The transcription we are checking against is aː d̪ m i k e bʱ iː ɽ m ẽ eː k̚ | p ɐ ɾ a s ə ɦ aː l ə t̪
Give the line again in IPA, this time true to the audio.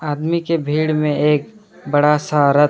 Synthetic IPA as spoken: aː d̪ m i k e bʱ iː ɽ m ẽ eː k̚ | b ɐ ɽ a s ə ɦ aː ɾ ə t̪

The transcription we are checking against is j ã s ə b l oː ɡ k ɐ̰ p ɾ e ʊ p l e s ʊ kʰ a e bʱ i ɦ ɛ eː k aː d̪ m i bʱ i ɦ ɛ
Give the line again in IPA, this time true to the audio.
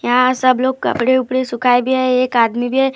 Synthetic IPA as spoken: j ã s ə b l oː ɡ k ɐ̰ p ɽ e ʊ p ɽ e s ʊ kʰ a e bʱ i ɦ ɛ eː k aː d̪ m i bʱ i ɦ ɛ

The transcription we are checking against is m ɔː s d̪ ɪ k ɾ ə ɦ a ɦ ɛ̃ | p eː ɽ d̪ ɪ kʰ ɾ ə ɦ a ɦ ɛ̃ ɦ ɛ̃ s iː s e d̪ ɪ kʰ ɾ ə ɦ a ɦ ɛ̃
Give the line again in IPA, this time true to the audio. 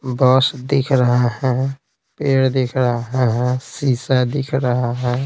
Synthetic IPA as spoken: b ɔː s d̪ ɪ kʰ ɾ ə ɦ a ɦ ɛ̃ | p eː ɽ d̪ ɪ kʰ ɾ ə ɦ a ɦ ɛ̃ ɦ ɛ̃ s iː s a d̪ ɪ kʰ ɾ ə ɦ a ɦ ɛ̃

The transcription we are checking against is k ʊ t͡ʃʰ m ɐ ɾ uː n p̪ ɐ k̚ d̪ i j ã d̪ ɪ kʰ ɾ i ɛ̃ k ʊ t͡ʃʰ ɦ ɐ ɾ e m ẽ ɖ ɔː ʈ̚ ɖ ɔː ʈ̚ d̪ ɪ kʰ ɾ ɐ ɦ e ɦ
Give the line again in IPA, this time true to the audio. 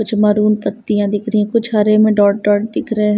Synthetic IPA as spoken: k ʊ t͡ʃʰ m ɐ ɾ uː n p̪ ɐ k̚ t̪ i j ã d̪ ɪ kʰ ɾ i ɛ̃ k ʊ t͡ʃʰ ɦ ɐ ɾ e m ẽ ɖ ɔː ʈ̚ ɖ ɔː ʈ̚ d̪ ɪ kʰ ɾ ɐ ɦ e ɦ

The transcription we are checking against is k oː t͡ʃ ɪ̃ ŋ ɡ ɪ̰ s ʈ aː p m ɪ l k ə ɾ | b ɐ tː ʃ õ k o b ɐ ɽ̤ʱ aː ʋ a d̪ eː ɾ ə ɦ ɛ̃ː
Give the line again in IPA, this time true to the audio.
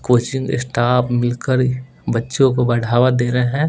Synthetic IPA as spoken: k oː t͡ʃ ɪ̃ ŋ ɡ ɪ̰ s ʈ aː p m ɪ l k ə ɾ | b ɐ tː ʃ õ k o b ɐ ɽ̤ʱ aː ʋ a d̪ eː ɾ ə ɦ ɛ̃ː

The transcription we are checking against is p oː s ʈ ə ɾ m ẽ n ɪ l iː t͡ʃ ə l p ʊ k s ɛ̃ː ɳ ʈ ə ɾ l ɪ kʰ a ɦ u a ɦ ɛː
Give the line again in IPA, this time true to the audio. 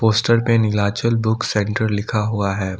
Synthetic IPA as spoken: p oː s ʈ ə ɾ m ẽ n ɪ l aː t͡ʃ ə l b ʊ k s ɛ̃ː ɳ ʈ ə ɾ l ɪ kʰ a ɦ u a ɦ ɛː

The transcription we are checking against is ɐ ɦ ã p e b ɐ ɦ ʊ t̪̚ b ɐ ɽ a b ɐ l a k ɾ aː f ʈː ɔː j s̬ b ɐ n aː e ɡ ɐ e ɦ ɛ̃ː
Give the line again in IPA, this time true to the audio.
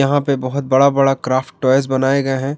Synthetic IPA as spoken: ɐ ɦ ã p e b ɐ ɦ ʊ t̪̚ b ɐ ɽ a b ɐ ɽ a k ɾ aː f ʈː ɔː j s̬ b ɐ n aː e ɡ ɐ e ɦ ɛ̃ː

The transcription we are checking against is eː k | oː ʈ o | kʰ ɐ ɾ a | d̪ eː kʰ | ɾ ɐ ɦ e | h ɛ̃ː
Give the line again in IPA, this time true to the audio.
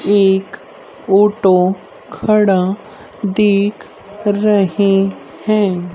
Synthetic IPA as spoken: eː k | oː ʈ o | kʰ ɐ ɽ a | d̪ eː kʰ | ɾ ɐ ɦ e | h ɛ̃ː

